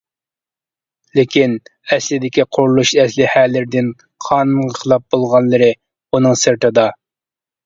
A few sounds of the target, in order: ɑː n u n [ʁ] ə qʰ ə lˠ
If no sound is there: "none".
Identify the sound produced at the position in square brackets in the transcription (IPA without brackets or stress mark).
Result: ʁ